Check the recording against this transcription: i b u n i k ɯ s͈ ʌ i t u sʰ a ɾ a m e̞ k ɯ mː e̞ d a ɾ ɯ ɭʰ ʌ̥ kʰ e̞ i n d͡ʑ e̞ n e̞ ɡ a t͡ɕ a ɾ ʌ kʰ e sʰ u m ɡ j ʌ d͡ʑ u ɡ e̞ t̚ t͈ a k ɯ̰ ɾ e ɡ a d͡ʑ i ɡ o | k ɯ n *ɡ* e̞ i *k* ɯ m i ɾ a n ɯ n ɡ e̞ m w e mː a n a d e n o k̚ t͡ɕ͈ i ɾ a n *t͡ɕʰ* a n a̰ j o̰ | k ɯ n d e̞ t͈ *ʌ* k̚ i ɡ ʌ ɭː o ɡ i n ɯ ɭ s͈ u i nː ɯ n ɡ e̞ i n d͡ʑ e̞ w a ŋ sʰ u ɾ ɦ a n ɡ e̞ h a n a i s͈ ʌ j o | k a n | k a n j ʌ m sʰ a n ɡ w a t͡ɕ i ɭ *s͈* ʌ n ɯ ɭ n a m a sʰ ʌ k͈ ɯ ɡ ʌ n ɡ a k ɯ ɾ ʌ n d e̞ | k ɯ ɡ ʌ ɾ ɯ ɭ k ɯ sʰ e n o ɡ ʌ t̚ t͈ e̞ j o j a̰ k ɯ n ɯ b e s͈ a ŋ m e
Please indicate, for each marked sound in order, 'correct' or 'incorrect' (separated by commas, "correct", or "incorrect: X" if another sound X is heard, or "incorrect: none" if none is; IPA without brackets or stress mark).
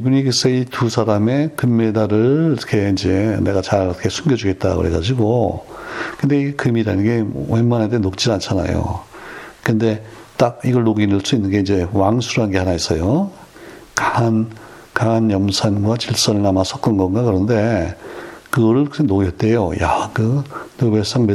incorrect: d, correct, correct, incorrect: a, correct